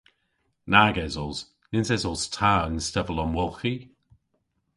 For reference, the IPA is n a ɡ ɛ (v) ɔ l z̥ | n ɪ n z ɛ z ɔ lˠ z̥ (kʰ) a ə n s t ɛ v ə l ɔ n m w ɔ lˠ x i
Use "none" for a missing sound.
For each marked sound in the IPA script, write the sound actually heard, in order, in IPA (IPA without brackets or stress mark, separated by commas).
z, tʰ